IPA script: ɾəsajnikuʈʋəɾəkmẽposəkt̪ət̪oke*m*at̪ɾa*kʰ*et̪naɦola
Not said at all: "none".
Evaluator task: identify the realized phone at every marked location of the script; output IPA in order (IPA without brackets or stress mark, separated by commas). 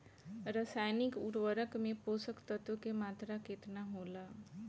m, k